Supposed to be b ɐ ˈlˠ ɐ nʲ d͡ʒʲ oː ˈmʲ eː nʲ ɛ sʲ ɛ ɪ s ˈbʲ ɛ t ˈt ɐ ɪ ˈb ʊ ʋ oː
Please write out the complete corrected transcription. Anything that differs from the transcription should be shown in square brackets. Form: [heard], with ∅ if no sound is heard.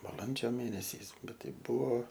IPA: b ɐ ˈlˠ ɐ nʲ d͡ʒʲ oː ˈmʲ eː nʲ ɛ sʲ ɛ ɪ s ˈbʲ ɛ t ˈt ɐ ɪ ˈb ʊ ʋ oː

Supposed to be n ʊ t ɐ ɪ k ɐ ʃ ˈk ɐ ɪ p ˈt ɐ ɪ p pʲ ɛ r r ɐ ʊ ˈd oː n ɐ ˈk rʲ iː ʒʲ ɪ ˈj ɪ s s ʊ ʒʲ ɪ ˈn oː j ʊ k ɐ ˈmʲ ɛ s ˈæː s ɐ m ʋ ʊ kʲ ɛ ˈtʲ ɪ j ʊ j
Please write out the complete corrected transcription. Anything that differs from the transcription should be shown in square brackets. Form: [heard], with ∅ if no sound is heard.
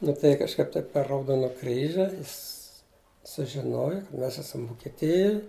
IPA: n ʊ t ɐ ɪ k ɐ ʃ ˈk ɐ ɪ p ˈt ɐ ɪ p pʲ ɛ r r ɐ ʊ ˈd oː n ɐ ˈk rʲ iː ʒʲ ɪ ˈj ɪ s s ʊ ʒʲ ɪ ˈn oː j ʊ k ɐ ˈmʲ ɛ s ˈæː s ɐ m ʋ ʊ kʲ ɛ ˈtʲ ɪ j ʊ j

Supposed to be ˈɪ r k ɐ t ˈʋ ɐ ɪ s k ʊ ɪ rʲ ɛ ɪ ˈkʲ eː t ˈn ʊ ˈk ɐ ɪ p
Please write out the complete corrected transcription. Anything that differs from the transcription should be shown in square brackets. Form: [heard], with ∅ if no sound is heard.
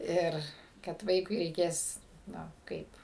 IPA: ˈɪ r k ɐ t ˈʋ ɐ ɪ [∅] k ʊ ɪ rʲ ɛ ɪ ˈkʲ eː [s] ˈn ʊ ˈk ɐ ɪ p

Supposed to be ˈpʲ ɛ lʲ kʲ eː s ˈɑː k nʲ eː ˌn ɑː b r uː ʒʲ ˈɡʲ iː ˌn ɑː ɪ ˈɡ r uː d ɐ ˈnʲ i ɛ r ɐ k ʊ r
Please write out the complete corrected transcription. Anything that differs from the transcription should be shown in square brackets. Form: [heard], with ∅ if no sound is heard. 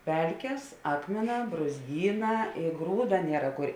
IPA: ˈpʲ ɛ lʲ kʲ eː s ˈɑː k [mʲ] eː ˌn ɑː b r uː [zʲ] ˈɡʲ iː ˌn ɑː ɪ ˈɡ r uː d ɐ ˈnʲ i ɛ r ɐ k ʊ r

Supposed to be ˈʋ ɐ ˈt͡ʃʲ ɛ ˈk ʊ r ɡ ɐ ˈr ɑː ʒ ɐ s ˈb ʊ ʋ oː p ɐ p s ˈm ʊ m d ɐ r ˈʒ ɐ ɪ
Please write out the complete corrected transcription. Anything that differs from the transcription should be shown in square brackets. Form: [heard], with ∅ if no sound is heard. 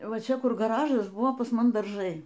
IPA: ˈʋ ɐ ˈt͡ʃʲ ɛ ˈk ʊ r ɡ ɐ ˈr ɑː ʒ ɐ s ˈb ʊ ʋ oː p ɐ [∅] s ˈm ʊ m d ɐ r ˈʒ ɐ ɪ

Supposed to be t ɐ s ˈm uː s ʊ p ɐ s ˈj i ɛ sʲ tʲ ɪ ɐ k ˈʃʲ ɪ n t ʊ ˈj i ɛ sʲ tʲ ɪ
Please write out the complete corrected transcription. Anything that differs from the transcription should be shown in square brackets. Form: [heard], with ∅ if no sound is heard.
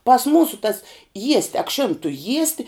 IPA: [p] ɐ s ˈm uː s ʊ [t] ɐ s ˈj i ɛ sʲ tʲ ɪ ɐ k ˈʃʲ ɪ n t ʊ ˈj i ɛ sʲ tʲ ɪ

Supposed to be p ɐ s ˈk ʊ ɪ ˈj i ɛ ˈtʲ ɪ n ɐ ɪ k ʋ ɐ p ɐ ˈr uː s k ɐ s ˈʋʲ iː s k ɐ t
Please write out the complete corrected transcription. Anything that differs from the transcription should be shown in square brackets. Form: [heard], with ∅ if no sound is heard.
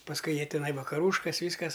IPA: p ɐ s ˈk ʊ ɪ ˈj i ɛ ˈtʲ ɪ n ɐ ɪ [∅] ʋ ɐ [k] ɐ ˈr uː [ʃ] k ɐ s ˈʋʲ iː s k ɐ [s]

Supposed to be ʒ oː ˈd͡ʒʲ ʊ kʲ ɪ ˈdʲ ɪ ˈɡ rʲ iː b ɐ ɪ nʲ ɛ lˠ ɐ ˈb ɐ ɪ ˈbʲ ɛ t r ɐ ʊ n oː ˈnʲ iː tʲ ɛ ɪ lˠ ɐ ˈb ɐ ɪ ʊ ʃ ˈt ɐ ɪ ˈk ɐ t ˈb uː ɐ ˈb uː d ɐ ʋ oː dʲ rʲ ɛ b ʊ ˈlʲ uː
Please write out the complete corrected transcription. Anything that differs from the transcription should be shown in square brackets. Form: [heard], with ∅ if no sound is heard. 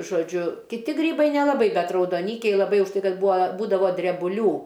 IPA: ʒ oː ˈd͡ʒʲ ʊ kʲ ɪ [ˈtʲ] ɪ ˈɡ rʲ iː b ɐ ɪ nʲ ɛ lˠ ɐ ˈb ɐ ɪ ˈbʲ ɛ t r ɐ ʊ [d] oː ˈnʲ iː [kʲ] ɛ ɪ lˠ ɐ ˈb ɐ ɪ ʊ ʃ ˈt ɐ ɪ ˈk ɐ t ˈb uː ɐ ˈb uː d ɐ ʋ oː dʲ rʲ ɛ b ʊ ˈlʲ uː

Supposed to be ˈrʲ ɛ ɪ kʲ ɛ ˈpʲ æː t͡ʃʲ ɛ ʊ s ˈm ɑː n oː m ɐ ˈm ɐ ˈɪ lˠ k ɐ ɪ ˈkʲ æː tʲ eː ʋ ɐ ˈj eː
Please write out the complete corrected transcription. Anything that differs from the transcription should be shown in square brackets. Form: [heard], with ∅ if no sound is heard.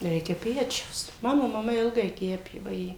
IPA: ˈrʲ ɛ ɪ kʲ ɛ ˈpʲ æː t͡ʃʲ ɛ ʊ s ˈm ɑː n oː m ɐ ˈm ɐ ˈɪ lˠ [ɡ] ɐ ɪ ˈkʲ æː [pʲ] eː ʋ ɐ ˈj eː

